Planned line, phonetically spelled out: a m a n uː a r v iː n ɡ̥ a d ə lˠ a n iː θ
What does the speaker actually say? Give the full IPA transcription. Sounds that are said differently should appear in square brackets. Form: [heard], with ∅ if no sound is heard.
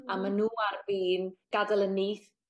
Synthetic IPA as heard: a m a n uː a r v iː n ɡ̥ a d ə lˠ [ə] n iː θ